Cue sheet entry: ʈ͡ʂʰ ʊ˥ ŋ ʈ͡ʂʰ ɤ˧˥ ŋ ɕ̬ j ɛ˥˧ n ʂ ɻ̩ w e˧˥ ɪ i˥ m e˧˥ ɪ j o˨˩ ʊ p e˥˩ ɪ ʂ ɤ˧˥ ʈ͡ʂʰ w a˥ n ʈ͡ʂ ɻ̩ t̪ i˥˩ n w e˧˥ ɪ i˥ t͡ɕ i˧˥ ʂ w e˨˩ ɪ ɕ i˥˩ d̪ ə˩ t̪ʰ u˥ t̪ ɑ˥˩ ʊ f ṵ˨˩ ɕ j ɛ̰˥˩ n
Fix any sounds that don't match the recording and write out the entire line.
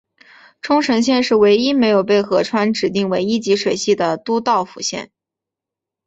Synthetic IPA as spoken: ʈ͡ʂʰ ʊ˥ ŋ ʈ͡ʂʰ ɤ˧˥ ŋ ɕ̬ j ɛ˥˧ n ʂ ɻ̩ w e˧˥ ɪ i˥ m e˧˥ ɪ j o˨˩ ʊ p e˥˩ ɪ x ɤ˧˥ ʈ͡ʂʰ w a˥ n ʈ͡ʂ ɻ̩ t̪ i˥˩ ŋ w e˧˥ ɪ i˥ t͡ɕ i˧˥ ʂ w e˨˩ ɪ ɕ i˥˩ d̪ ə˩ t̪ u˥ t̪ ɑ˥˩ ʊ f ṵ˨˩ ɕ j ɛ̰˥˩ n